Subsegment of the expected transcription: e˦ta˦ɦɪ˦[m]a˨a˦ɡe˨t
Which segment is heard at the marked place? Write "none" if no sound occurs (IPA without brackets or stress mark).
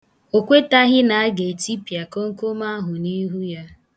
n